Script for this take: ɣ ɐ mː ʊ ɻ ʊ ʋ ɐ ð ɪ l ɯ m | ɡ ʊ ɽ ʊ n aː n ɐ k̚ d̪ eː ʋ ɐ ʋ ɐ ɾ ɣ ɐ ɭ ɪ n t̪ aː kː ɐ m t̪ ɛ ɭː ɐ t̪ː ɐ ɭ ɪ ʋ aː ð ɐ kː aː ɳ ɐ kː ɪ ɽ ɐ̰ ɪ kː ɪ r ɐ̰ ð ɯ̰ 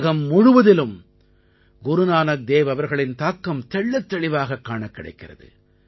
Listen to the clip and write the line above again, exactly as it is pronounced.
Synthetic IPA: ɣ ɐ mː ʊ ɻ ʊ ʋ ɐ ð ɪ l ɯ m | ɡ ʊ ɾ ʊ n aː n ɐ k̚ d̪ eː ʋ ɐ ʋ ɐ ɾ ɣ ɐ ɭ ɪ n t̪ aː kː ɐ m t̪ ɛ ɭː ɐ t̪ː ɐ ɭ ɪ ʋ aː ɣ ɐ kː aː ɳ ɐ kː ɪ ɽ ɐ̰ ɪ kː ɪ r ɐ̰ ð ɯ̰

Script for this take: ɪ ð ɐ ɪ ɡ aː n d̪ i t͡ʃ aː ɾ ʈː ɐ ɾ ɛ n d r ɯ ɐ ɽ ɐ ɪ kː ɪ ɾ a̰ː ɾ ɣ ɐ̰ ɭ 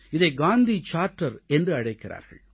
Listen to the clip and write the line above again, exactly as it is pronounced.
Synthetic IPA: ɪ ð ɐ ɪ ɡ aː n d̪ i t͡ʃ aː ɾ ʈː ɐ ɾ ɛ n d r ɯ ɐ ɽ ɐ ɪ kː ɪ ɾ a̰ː ɾ ɣ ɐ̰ ɭ

